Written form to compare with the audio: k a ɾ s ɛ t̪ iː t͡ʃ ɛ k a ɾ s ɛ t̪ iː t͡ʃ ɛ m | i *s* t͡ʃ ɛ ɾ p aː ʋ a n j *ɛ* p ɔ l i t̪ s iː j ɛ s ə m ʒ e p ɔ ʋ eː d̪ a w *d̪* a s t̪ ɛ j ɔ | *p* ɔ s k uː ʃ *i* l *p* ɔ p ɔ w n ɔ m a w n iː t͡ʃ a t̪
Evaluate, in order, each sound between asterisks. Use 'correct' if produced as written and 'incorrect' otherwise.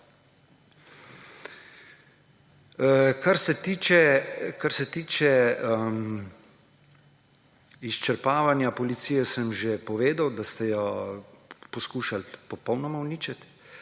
correct, incorrect, correct, correct, incorrect, correct

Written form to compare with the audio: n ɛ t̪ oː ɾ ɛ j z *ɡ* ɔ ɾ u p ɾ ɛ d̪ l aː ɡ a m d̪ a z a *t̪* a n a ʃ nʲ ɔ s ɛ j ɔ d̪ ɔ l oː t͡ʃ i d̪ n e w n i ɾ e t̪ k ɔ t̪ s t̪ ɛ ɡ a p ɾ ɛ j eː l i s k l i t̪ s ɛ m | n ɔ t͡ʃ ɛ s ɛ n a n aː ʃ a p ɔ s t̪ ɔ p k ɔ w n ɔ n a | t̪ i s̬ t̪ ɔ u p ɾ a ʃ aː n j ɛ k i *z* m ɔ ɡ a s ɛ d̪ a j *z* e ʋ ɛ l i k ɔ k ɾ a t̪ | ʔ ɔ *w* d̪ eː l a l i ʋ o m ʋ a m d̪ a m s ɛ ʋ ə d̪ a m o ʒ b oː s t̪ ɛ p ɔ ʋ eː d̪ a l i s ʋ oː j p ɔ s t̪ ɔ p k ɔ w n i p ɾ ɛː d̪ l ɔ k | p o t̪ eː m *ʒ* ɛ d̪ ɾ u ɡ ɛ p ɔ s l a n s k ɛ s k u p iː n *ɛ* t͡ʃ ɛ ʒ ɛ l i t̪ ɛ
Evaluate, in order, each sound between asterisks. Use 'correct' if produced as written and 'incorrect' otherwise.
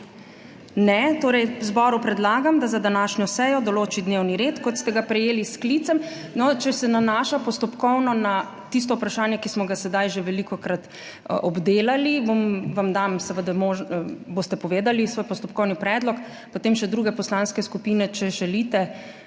incorrect, incorrect, incorrect, incorrect, incorrect, incorrect, correct

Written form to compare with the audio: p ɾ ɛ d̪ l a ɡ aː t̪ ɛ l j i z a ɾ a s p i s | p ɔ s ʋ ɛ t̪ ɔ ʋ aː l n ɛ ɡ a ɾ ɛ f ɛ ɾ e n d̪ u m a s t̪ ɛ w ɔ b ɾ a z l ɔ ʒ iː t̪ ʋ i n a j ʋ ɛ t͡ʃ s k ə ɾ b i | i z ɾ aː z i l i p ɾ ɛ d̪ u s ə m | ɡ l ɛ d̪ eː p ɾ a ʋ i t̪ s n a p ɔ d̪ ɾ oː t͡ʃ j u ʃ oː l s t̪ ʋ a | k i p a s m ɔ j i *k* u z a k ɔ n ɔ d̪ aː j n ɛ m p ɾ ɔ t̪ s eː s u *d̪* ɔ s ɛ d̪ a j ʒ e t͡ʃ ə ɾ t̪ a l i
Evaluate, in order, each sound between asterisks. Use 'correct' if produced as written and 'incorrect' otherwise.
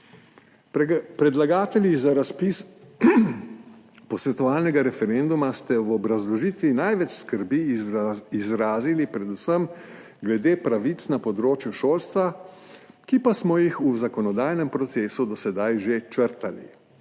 incorrect, correct

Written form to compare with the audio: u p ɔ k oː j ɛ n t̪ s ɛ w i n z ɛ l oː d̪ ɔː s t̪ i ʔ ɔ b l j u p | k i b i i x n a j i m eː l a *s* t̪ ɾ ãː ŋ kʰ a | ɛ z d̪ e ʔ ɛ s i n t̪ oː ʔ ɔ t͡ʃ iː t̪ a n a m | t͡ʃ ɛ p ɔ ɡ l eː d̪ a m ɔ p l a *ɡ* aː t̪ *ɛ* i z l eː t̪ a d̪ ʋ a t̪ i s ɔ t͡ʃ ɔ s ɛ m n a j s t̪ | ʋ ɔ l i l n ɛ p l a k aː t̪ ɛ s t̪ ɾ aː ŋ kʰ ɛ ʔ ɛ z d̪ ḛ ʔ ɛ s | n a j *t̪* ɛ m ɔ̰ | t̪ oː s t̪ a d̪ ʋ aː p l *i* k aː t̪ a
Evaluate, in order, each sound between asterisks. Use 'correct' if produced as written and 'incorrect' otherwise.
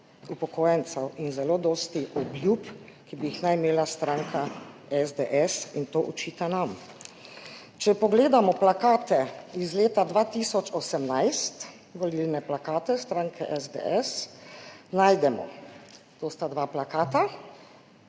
correct, incorrect, correct, incorrect, incorrect

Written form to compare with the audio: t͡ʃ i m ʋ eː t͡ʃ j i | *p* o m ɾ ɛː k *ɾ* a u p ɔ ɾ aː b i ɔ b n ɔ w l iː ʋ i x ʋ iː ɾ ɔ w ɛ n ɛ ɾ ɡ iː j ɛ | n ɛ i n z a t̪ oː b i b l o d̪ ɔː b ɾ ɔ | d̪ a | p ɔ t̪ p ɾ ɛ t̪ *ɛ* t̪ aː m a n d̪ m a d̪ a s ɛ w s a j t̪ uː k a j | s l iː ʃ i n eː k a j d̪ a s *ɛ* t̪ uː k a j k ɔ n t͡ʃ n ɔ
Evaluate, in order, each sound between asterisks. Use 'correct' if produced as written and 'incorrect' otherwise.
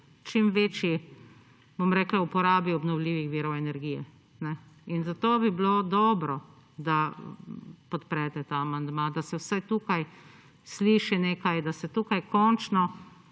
incorrect, incorrect, correct, correct

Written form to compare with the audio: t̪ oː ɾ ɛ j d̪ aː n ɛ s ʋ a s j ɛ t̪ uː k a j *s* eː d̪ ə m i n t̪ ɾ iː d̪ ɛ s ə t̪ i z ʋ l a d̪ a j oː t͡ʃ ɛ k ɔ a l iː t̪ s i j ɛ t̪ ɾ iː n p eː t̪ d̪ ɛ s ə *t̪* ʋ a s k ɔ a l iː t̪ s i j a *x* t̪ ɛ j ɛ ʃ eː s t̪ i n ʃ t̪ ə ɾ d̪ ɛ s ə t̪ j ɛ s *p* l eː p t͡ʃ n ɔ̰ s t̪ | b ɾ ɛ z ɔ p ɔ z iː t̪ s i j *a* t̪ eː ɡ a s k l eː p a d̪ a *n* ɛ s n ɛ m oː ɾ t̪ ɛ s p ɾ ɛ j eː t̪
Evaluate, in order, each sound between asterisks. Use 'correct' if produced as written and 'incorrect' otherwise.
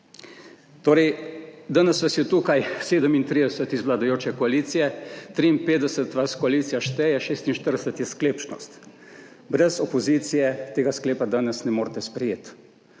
correct, correct, incorrect, incorrect, incorrect, correct

